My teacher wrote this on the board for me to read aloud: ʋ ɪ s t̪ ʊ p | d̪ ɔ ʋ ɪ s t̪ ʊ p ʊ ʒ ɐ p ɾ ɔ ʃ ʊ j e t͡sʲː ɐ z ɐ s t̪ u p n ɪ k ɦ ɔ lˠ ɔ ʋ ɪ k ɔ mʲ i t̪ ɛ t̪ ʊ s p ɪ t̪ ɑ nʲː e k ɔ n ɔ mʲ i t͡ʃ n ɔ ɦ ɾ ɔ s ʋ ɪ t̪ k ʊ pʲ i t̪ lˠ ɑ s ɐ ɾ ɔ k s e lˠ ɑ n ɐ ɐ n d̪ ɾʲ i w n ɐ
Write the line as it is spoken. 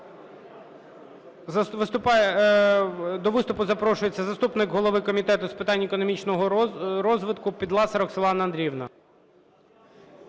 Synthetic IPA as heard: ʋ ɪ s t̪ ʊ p | d̪ ɔ ʋ ɪ s t̪ ʊ p ʊ z ɐ p ɾ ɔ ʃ ʊ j e t͡sʲː ɐ z ɐ s t̪ u p n ɪ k ɦ ɔ lˠ ɔ ʋ ɪ k ɔ mʲ i t̪ ɛ t̪ ʊ s p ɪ t̪ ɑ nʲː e k ɔ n ɔ mʲ i t͡ʃ n ɔ ɦ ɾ ɔ z ʋ ɪ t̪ k ʊ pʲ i d̪ lˠ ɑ s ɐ ɾ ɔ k s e lˠ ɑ n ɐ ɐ n d̪ ɾʲ i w n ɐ